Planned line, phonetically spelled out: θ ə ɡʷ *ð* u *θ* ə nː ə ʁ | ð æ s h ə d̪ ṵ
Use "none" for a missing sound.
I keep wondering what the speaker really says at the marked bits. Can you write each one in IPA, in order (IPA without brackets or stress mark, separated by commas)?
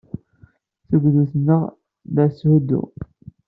ð, θ